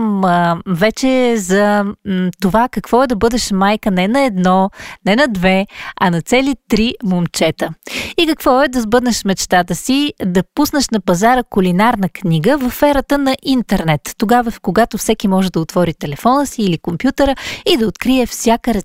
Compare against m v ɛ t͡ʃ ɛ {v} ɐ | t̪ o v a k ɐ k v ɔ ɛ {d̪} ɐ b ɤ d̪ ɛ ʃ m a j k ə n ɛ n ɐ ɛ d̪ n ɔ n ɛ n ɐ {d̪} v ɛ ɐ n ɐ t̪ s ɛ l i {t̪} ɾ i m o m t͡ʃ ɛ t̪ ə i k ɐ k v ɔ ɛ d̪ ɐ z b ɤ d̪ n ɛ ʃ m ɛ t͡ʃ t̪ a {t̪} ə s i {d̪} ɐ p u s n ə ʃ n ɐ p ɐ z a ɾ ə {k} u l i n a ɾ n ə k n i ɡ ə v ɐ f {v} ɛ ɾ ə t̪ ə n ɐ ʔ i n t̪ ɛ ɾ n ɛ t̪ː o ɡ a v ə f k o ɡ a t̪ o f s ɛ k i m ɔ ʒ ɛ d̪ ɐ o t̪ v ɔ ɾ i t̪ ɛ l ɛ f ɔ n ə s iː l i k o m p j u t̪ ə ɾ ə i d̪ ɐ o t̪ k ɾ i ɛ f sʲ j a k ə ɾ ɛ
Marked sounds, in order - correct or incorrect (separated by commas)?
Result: incorrect, correct, correct, correct, correct, correct, correct, incorrect